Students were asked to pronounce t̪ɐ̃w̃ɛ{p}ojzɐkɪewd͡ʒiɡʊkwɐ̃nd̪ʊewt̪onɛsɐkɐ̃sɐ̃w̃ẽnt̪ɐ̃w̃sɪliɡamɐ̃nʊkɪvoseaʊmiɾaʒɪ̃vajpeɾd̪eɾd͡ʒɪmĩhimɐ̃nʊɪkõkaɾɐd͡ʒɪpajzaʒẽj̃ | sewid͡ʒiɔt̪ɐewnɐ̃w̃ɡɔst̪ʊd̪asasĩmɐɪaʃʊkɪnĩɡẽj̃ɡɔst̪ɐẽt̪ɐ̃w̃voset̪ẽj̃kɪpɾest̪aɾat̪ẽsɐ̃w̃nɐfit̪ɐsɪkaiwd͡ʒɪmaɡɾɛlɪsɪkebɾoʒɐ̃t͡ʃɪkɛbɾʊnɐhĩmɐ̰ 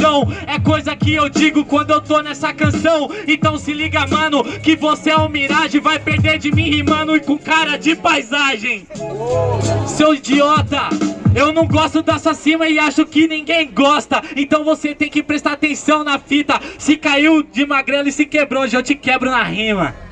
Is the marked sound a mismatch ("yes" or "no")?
yes